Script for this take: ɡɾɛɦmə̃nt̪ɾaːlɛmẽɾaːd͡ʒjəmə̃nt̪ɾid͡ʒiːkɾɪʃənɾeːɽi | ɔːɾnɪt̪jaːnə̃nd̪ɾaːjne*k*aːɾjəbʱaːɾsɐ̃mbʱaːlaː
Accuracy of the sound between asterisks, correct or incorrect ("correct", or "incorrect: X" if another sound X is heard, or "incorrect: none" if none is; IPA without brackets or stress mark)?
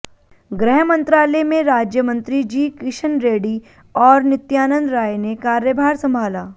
correct